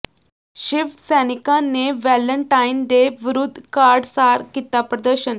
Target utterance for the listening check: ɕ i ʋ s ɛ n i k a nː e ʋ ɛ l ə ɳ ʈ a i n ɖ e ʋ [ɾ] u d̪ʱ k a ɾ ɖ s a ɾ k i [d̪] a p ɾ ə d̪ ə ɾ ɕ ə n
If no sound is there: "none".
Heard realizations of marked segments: ɾ, t̪

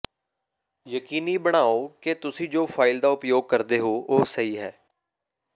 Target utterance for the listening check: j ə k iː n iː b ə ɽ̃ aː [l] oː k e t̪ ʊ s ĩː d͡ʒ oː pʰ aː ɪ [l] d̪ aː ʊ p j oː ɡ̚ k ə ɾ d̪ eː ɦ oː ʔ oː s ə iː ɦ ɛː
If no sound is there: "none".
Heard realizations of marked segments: none, l

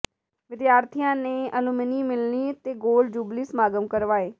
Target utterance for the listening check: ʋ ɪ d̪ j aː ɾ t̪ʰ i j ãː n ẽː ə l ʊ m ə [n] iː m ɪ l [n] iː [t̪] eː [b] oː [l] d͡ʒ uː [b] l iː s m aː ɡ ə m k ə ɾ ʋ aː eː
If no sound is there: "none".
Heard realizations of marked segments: n, n, t̪, ɡ, l, b

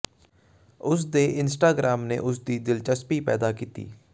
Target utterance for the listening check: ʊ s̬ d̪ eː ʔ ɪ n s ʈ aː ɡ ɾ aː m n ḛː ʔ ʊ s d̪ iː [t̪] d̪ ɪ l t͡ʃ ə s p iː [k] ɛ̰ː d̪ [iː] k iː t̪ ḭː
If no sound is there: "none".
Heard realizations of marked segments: none, p, aː

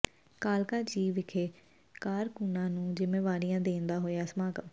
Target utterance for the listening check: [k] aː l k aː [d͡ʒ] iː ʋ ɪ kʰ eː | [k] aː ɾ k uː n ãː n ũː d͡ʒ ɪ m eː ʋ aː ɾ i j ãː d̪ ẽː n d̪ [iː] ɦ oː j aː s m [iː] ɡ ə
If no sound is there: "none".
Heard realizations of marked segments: k, d͡ʒ, k, aː, aː

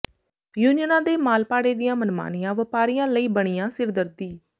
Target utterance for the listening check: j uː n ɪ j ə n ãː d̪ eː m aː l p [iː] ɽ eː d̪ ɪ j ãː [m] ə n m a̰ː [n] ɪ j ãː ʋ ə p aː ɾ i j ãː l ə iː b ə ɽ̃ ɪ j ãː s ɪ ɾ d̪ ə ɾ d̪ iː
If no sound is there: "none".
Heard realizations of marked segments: aː, m, n

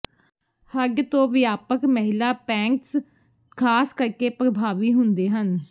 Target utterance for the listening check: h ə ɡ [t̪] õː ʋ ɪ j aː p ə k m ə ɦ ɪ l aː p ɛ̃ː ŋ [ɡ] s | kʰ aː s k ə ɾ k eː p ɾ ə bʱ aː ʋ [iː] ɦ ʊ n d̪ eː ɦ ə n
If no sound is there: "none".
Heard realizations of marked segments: t̪, k, iː

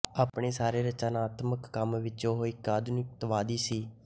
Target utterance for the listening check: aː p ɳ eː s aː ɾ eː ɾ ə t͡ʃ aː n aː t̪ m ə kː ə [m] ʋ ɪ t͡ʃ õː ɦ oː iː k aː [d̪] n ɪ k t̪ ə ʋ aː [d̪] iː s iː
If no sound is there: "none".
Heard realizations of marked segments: m, d̪, d̪

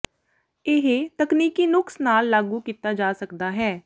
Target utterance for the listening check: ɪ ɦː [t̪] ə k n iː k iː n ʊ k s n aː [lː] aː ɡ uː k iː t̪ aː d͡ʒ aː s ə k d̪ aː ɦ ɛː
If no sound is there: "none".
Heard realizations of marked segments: t̪, lː

